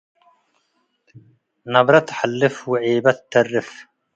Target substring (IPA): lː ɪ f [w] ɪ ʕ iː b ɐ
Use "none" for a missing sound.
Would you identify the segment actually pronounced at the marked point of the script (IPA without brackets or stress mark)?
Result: w